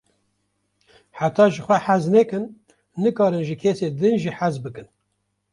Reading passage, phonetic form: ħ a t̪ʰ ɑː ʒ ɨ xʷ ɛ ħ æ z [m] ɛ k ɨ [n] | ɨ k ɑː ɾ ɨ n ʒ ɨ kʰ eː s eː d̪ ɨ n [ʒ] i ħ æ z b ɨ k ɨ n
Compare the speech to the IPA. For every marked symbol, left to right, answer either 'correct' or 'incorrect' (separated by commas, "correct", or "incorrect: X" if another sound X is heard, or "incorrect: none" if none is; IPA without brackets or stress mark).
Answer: incorrect: n, incorrect: nː, correct